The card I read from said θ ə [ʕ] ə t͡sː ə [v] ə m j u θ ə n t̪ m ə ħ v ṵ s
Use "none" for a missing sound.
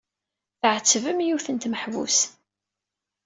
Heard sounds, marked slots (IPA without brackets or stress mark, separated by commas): ʕ, v